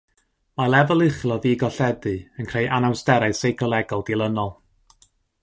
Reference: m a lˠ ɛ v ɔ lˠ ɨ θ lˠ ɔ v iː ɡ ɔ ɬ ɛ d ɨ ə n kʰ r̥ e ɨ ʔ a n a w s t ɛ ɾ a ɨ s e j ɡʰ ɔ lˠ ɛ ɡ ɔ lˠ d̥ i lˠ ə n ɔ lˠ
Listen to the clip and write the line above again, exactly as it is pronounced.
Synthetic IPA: m a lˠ ɛ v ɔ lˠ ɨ χ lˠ ɔ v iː ɡ ɔ ɬ ɛ d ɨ ə n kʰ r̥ e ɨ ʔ a n a w s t ɛ ɾ a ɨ s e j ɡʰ ɔ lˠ ɛ ɡ ɔ lˠ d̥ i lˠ ə n ɔ lˠ

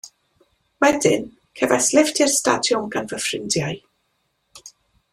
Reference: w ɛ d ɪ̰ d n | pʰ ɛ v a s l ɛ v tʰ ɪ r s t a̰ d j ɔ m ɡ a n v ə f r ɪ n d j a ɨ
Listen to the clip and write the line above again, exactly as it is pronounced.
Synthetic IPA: w ɛ d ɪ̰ n | kʰ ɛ v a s l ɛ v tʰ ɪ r s t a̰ d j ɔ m ɡ a n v ə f r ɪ n d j a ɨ

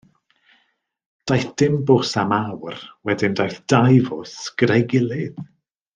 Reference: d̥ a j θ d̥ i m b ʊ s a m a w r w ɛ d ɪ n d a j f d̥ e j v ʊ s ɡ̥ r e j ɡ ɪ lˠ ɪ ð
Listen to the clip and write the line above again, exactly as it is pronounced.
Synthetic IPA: d̥ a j θ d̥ ɪ m b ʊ s a m a w r w ɛ d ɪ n d a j θ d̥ a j v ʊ s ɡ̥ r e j ɡ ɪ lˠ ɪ ð

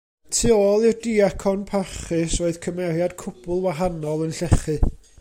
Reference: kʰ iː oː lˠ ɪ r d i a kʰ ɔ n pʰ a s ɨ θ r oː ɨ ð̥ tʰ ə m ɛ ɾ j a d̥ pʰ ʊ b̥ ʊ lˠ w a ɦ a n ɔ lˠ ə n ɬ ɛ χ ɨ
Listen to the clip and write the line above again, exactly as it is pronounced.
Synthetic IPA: tʰ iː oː lˠ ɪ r d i a kʰ ɔ n pʰ a χ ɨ s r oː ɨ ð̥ kʰ ə m ɛ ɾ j a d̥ kʰ ʊ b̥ ʊ lˠ w a ɦ a n ɔ lˠ ə n ɬ ɛ χ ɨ

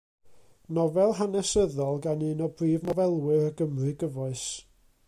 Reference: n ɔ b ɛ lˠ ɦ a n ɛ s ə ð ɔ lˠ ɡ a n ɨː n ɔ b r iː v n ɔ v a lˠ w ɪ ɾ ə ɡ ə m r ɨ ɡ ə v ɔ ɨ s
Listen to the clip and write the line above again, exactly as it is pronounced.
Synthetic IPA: n ɔ v ɛ lˠ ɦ a n ɛ s ə ð ɔ lˠ ɡ a n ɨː n ɔ b r iː v n ɔ v ɛ lˠ w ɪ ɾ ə ɡ ə m r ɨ ɡ ə v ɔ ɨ s

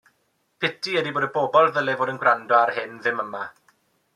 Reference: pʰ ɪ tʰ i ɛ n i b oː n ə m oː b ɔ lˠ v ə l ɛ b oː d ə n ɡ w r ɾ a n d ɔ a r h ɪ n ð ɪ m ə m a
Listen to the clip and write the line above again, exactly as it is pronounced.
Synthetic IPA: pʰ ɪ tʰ i ɛ d i b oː d ə b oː b ɔ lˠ ð ə l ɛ v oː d ə n ɡ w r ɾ a n d ɔ a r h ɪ n ð ɪ m ə m a

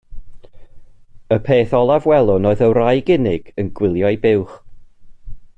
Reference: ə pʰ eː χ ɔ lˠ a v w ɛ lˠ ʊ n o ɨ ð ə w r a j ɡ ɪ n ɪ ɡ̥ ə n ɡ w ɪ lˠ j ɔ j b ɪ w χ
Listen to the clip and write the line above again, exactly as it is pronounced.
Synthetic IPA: ə pʰ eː θ ɔ lˠ a v w ɛ lˠ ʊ n o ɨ ð ə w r a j ɡ ɪ n ɪ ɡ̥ ə n ɡ w ɪ lˠ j ɔ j b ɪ w χ

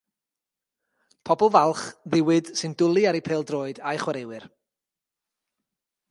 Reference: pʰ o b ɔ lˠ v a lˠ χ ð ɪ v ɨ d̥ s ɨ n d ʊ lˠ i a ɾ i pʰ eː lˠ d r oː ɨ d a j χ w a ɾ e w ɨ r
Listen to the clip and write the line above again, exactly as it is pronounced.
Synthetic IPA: pʰ ɔ b ɔ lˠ v a lˠ χ ð ɪ w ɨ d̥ s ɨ n d ʊ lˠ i a ɾ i pʰ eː lˠ d r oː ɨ d a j χ w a ɾ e w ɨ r

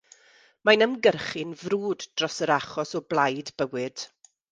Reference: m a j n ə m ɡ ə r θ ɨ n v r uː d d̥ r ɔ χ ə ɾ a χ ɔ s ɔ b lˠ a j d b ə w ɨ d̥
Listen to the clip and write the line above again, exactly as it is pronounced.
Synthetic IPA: m a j n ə m ɡ ə r χ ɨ n v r uː d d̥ r ɔ s ə ɾ a χ ɔ s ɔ b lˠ a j d b ə w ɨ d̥

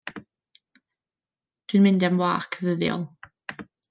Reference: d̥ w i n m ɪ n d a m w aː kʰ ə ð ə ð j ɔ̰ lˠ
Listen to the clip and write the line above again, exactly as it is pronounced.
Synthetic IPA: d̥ w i n m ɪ n d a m w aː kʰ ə ð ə ð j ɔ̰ lˠ

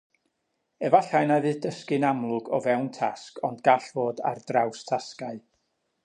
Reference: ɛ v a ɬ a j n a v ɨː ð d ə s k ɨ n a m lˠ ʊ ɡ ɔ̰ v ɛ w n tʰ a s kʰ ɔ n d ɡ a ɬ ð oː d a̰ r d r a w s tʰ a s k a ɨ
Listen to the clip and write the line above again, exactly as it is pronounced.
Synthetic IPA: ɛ v a ɬ a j n a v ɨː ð d ə s k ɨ n a m lˠ ʊ ɡ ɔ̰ v ɛ w n tʰ a s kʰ ɔ n d ɡ a ɬ v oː d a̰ r d r a w s tʰ a s k a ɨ

